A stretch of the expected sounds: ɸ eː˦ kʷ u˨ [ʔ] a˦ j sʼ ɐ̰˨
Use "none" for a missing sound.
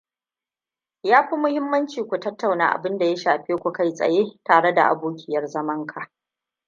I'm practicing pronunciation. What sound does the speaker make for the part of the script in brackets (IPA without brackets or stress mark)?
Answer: k